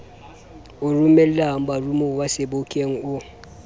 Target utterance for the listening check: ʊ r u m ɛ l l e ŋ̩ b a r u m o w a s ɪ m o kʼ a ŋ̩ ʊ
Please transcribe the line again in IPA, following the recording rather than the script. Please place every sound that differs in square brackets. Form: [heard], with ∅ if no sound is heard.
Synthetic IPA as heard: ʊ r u m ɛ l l [a] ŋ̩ b a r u m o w a s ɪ [b] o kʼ [e] ŋ̩ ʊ